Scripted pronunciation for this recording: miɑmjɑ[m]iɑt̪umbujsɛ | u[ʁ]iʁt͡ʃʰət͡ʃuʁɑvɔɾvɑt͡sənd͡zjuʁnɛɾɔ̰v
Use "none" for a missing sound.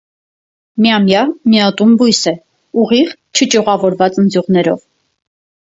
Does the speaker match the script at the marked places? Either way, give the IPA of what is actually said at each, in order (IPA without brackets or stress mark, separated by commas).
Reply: m, ʁ